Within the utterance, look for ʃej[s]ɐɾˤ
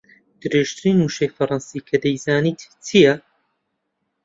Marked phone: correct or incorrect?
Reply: incorrect